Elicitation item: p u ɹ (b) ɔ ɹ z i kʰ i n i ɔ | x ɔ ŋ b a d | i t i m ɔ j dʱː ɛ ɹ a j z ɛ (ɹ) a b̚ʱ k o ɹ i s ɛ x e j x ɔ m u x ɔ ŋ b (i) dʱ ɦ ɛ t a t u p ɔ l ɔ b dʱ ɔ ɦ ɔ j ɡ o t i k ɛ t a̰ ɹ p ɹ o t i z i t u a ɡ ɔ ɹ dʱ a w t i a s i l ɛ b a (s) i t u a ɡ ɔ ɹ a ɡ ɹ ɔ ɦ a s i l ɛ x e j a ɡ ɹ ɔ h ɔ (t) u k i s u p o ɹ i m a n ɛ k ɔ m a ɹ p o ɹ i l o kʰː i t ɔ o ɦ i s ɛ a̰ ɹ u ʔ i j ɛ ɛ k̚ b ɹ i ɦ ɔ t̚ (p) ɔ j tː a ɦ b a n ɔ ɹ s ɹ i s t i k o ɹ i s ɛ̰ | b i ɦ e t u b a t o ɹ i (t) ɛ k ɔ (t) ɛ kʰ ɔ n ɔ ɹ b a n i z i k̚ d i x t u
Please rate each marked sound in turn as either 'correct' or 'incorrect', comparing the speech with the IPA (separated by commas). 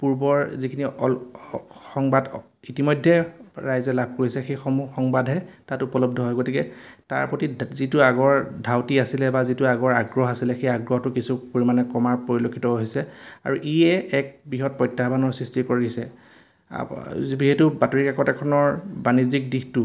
correct, incorrect, incorrect, incorrect, correct, correct, incorrect, correct